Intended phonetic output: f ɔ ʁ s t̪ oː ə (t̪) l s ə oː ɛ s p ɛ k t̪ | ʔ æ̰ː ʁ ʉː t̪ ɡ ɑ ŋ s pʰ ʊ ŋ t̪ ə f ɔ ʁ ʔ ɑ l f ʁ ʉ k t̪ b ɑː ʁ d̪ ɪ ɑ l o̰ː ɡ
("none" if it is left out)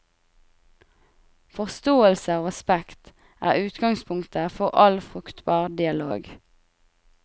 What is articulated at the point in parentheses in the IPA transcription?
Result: none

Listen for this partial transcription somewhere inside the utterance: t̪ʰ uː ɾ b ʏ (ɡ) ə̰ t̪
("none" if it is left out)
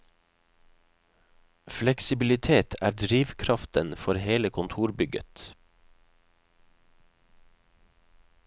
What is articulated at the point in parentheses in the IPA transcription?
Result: ɡ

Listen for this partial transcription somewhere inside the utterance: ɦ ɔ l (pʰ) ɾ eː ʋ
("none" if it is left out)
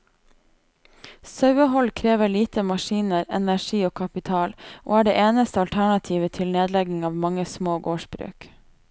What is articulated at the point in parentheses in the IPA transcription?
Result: kʰ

